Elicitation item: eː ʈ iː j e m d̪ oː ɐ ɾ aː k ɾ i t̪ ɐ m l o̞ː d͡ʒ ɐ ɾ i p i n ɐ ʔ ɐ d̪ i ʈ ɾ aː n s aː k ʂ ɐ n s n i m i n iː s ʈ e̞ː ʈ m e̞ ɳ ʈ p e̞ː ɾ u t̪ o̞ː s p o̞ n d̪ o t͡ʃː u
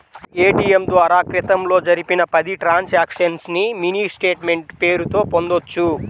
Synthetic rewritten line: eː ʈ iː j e m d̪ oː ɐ ɾ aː k ɾ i t̪ ɐ m l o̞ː d͡ʒ ɐ ɾ i p i n ɐ p ɐ d̪ i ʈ ɾ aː n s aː k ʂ ɐ n s n i m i n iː s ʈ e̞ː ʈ m e̞ ɳ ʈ p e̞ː ɾ u t̪ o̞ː p o̞ n d̪ o t͡ʃː u